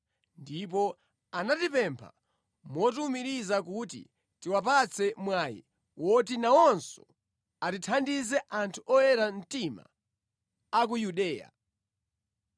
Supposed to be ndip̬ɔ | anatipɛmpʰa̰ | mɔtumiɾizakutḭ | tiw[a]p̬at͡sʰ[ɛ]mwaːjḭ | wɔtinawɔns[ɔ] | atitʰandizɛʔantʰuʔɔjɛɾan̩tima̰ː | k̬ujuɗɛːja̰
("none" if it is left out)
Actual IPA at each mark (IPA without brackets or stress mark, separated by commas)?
a, ɛ, ɔ